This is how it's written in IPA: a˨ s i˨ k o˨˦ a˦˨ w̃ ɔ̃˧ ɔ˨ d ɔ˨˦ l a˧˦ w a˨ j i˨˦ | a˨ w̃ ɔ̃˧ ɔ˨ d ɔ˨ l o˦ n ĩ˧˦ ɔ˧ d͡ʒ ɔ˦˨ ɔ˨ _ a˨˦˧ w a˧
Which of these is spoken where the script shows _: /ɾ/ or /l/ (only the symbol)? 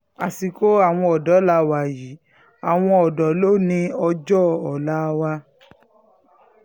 l